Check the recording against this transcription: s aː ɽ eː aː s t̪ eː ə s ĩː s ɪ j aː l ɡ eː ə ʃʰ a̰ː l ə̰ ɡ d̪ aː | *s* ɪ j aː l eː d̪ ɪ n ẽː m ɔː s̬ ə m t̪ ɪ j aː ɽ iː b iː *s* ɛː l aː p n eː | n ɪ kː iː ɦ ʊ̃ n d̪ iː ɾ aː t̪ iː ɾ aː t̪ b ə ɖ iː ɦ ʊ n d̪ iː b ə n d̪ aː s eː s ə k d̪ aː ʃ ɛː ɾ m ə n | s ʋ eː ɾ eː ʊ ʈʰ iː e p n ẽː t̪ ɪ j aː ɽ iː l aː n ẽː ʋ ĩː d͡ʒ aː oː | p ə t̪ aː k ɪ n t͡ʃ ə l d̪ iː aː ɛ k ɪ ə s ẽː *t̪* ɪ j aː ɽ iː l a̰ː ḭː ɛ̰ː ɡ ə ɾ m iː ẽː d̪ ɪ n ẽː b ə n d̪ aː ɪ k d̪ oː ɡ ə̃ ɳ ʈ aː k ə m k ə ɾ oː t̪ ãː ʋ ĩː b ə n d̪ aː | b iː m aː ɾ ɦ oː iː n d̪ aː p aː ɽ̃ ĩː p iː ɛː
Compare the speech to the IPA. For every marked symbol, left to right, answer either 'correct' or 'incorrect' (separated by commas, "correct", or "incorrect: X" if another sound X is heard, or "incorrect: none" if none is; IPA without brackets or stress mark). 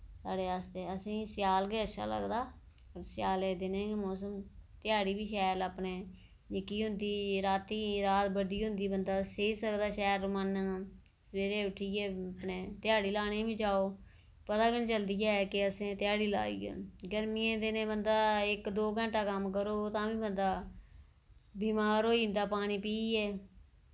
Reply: correct, incorrect: ʃ, correct